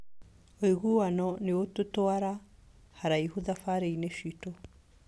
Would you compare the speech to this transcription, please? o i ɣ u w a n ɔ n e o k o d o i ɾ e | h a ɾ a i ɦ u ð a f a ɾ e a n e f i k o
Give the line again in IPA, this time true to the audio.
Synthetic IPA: o i ɣ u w a n ɔ n e o t o t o a ɾ a | h a ɾ a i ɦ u ð a f a ɾ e i n e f i t o